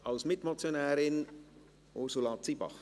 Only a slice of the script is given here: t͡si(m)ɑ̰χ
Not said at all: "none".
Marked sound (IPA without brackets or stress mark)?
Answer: b